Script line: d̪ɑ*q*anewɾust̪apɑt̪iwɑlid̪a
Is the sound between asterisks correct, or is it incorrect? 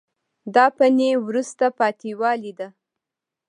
incorrect